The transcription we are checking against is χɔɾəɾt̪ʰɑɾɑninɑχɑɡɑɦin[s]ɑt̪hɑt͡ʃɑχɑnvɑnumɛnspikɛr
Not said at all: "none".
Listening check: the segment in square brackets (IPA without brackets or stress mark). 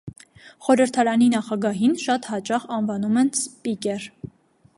ʃ